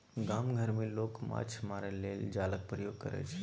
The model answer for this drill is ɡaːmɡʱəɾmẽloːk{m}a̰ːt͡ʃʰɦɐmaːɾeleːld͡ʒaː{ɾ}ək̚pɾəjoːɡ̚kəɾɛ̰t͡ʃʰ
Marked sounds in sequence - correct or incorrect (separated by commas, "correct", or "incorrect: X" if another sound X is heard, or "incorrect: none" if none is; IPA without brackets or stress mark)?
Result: correct, incorrect: l